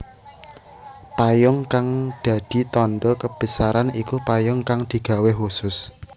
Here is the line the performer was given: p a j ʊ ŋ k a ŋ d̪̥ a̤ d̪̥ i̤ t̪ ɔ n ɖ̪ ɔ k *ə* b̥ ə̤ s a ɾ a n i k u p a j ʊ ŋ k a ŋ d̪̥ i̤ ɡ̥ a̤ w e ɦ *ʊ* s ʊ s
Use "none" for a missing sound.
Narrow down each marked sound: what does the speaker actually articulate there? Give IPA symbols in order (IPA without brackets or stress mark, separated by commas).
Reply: ə, u